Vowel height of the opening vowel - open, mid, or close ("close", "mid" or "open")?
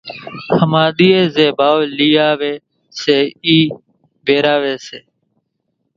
mid